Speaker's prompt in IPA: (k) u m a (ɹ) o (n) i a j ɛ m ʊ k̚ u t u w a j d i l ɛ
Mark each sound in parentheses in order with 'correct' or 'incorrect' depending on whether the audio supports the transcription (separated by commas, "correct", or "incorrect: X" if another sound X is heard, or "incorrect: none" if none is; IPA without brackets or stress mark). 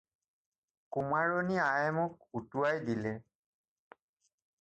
correct, correct, correct